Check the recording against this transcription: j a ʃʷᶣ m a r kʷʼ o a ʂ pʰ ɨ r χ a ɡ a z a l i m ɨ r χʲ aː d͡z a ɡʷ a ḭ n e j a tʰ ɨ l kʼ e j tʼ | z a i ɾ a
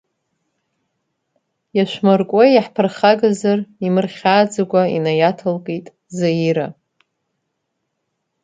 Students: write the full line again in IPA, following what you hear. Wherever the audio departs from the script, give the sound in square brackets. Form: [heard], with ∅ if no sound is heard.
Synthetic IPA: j a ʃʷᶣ m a r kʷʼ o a [ħ] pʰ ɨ r χ a ɡ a z a [r] i m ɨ r χʲ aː d͡z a ɡʷ a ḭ n [a] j a tʰ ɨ l kʼ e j tʼ | z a i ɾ a